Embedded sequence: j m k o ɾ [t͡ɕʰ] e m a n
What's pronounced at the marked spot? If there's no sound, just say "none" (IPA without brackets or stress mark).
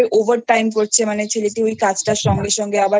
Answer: t͡ɕʰ